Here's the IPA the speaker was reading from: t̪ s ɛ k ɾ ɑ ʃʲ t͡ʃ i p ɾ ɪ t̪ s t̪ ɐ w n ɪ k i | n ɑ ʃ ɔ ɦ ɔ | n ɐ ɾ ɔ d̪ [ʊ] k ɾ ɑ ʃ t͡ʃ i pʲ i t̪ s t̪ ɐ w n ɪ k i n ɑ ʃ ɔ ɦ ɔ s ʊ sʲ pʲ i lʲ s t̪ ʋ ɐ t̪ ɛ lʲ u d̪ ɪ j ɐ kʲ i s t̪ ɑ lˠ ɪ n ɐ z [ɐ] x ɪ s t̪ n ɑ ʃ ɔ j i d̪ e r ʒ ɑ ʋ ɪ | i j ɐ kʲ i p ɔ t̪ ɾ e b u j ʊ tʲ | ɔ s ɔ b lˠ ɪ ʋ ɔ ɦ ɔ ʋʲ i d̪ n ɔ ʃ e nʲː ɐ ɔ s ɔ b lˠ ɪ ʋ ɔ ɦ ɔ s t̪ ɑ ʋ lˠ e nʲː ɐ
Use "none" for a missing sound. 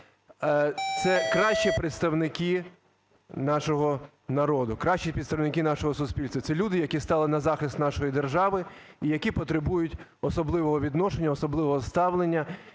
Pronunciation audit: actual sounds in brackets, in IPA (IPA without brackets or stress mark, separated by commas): ʊ, ɑ